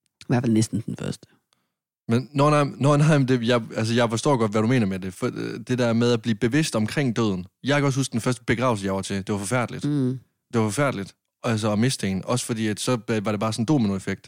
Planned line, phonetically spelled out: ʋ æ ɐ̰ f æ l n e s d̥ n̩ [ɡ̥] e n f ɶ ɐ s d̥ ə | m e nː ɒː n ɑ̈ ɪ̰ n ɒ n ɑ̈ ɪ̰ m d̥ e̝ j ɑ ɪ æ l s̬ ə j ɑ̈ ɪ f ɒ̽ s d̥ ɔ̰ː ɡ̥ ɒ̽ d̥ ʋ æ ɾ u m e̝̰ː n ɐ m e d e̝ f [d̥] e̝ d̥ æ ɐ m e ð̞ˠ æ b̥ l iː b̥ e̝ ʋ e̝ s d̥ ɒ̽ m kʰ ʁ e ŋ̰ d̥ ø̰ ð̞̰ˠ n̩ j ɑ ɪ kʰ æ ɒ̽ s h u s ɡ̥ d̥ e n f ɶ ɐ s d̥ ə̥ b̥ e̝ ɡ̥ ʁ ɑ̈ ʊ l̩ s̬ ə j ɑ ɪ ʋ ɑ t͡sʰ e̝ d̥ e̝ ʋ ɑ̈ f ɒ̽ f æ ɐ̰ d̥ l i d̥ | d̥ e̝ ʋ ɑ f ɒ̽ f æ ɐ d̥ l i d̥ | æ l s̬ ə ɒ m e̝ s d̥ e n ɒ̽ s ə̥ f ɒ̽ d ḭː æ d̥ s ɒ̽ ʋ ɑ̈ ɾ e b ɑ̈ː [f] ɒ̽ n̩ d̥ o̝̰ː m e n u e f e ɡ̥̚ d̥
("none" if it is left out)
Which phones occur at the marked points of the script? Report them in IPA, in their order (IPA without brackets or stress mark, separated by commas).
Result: d̥, d̥, s